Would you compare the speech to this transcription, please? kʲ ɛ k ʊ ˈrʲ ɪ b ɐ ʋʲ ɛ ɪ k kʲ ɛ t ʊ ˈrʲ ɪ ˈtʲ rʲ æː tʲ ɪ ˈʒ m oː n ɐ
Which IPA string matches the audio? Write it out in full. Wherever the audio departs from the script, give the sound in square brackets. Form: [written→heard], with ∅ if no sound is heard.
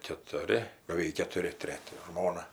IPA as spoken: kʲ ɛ [k→t] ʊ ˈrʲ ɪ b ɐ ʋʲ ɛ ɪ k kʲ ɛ t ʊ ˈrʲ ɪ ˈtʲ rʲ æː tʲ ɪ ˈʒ m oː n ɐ